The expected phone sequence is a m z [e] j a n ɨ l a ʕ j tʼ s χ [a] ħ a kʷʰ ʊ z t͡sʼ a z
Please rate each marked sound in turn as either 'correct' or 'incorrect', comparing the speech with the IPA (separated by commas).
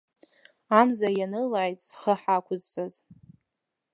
incorrect, incorrect